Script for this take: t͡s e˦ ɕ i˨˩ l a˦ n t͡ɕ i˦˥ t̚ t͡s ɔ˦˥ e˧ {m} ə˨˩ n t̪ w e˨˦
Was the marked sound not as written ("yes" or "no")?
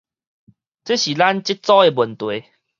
yes